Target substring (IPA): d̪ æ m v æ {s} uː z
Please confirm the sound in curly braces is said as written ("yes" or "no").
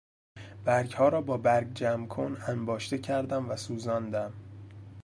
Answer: yes